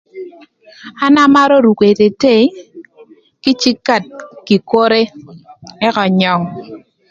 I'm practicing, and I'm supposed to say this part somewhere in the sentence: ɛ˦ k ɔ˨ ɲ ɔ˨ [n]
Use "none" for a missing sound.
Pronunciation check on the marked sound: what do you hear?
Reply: ŋ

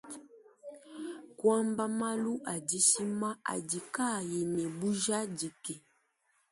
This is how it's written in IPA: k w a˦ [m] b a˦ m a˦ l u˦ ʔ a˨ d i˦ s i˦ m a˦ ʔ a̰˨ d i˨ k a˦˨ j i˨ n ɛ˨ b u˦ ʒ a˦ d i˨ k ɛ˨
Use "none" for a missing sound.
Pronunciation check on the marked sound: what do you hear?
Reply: m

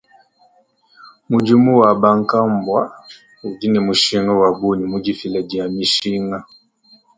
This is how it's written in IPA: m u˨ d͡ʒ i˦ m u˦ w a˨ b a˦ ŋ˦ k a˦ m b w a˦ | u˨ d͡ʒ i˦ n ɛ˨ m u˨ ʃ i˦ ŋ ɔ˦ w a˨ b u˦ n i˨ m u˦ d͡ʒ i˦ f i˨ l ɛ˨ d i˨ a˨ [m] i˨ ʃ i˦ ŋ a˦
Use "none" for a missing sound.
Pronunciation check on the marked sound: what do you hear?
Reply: m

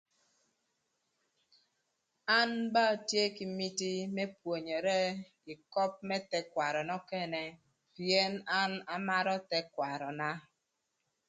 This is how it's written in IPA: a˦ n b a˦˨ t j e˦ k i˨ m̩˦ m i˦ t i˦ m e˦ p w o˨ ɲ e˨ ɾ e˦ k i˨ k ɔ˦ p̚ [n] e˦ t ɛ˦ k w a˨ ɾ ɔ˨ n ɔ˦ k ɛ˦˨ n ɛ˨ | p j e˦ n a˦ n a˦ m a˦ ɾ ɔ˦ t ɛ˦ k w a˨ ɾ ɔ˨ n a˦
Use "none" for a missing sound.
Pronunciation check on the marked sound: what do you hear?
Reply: m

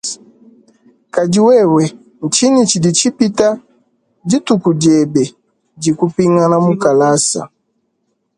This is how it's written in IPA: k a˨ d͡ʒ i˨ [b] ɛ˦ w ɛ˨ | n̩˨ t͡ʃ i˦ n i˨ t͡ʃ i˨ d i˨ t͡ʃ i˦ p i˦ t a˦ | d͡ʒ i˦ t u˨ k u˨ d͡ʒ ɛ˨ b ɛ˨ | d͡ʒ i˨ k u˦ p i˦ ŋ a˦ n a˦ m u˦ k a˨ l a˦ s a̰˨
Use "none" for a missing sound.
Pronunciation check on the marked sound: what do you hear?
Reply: w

